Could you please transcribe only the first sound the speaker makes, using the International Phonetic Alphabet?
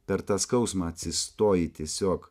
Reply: pʲ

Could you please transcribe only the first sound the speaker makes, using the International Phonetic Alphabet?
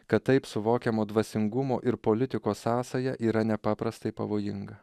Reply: k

